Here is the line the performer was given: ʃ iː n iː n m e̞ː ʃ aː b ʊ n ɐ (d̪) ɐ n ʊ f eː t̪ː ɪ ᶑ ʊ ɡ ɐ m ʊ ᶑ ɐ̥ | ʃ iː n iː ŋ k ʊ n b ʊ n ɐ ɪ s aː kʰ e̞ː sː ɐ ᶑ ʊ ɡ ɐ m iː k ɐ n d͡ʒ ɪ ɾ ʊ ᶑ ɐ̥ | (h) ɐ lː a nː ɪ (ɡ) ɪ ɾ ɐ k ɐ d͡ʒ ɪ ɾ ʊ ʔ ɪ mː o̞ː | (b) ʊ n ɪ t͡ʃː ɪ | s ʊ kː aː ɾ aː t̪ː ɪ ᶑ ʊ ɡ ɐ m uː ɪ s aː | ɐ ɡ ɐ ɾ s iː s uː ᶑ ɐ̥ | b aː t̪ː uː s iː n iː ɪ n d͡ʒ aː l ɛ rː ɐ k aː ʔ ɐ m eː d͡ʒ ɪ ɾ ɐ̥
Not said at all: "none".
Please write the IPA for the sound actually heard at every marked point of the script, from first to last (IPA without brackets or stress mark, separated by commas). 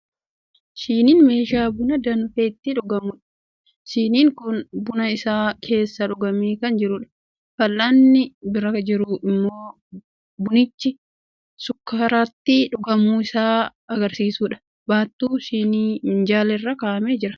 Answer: d̪, f, b, b